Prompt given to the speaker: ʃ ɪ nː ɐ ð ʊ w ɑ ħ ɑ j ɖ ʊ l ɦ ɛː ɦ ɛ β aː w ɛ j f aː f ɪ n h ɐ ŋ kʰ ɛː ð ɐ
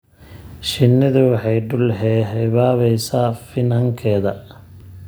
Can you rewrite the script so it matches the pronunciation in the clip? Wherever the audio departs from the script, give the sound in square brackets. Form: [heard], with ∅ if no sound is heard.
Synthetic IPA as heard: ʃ ɪ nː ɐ ð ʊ w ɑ ħ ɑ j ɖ ʊ l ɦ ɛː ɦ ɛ β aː [β] ɛ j [s] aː f ɪ n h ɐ ŋ kʰ ɛː ð ɐ

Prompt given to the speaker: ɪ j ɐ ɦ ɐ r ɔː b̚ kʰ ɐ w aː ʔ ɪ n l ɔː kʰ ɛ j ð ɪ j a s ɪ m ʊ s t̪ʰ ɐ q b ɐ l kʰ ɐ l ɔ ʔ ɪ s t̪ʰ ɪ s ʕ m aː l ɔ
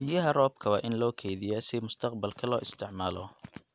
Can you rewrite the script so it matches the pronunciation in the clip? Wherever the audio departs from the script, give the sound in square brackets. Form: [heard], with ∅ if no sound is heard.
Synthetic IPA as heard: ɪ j ɐ ɦ ɐ r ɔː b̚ kʰ ɐ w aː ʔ ɪ n l ɔː kʰ ɛ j ð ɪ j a s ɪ m ʊ s t̪ʰ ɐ q b ɐ l kʰ ɐ l [ɔː] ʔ ɪ s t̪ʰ ɪ [∅] ʕ m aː l ɔ

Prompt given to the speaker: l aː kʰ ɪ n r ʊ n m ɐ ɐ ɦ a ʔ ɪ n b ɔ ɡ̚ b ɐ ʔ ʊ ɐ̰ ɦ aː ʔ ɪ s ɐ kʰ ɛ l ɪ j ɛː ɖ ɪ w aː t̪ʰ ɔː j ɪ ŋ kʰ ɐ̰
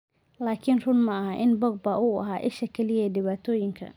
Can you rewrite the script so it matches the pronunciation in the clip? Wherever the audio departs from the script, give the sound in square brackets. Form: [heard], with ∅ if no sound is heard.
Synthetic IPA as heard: l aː kʰ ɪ n r ʊ n m ɐ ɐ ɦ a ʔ ɪ n b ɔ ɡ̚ b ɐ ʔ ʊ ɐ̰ ɦ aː ʔ ɪ [ʃ] ɐ kʰ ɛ l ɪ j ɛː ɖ ɪ [β] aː t̪ʰ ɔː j ɪ ŋ kʰ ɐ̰

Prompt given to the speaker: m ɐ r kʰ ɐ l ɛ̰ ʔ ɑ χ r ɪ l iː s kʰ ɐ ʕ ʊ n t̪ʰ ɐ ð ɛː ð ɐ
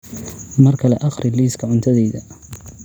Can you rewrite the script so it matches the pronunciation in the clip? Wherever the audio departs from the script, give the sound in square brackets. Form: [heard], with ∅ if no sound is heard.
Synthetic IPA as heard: m ɐ r kʰ ɐ l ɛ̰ ʔ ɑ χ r ɪ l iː s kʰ ɐ ʕ ʊ n t̪ʰ ɐ ð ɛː ð ɐ

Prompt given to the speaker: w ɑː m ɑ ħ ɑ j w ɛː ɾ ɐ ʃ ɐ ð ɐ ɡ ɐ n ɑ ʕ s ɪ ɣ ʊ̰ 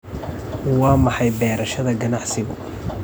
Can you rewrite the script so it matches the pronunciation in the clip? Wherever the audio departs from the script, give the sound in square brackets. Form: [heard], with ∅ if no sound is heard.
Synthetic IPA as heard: w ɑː m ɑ ħ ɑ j [b] ɛː ɾ ɐ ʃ ɐ ð ɐ ɡ ɐ n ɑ ʕ s ɪ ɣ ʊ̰

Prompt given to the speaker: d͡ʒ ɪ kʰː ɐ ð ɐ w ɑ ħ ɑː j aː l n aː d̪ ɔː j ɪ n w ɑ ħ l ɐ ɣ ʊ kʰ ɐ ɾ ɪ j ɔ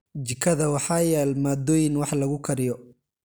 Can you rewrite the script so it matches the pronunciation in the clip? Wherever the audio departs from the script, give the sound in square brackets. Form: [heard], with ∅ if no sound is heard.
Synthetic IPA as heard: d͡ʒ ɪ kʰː ɐ ð ɐ w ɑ ħ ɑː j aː l [m] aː d̪ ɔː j ɪ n w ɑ ħ l ɐ ɣ ʊ kʰ ɐ ɾ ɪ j ɔ

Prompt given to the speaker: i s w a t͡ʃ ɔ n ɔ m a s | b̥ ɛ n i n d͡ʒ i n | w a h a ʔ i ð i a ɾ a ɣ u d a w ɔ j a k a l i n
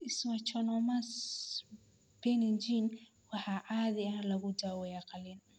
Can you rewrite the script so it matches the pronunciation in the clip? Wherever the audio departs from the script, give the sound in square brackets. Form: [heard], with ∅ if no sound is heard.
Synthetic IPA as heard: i s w a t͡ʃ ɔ n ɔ m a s | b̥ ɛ n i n d͡ʒ i n | w a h a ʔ [a] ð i a [l] a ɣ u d a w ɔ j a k a l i n

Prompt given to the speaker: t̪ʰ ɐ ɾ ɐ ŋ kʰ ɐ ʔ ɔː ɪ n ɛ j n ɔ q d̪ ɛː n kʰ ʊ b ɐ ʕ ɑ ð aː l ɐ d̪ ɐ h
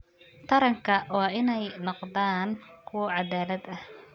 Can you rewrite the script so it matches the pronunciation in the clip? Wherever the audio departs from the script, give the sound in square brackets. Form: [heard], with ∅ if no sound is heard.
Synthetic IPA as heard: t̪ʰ ɐ ɾ ɐ ŋ kʰ ɐ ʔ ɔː ɪ n ɛ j n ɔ q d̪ [aː] n kʰ ʊ [w] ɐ ʕ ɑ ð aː l ɐ d̪ ɐ h

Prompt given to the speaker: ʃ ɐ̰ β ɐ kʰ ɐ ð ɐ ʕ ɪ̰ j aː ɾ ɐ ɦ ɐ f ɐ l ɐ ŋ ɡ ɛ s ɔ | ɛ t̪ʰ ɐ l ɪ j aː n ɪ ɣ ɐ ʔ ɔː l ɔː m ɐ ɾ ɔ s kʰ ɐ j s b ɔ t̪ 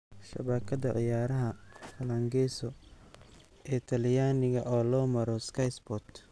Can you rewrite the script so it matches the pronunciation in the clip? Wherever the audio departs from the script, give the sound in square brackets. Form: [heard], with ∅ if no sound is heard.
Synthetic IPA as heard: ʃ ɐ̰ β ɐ kʰ ɐ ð ɐ ʕ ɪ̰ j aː ɾ ɐ ɦ ɐ f ɐ l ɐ ŋ ɡ ɛ s ɔ | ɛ t̪ʰ ɐ l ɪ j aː n ɪ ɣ ɐ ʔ ɔː l ɔː m ɐ ɾ ɔ s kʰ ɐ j s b ɔ t̪

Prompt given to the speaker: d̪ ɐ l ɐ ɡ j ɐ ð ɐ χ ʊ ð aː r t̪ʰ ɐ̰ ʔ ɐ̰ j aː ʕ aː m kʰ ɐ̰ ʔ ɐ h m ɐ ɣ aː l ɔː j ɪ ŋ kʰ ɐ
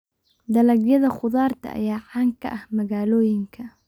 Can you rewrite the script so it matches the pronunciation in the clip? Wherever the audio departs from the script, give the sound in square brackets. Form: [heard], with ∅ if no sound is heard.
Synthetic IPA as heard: d̪ ɐ l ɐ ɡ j ɐ ð ɐ χ ʊ ð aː r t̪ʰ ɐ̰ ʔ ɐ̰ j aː ʕ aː [ŋ] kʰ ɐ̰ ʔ ɐ h m ɐ ɣ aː l ɔː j ɪ ŋ kʰ ɐ

